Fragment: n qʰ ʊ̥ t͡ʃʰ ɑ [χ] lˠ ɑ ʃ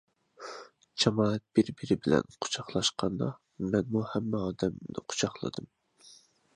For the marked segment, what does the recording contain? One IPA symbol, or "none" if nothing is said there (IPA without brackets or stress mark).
χ